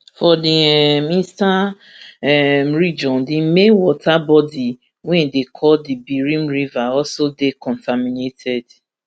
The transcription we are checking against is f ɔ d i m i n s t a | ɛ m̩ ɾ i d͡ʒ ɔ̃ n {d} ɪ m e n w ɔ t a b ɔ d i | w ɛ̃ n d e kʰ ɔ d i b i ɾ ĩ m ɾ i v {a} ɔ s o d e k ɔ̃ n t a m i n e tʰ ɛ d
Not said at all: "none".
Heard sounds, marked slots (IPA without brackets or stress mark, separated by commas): d, a